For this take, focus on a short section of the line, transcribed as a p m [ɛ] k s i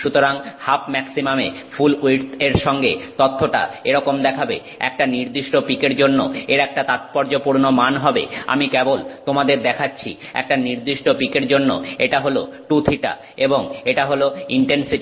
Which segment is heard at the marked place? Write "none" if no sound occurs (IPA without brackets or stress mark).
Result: ɛ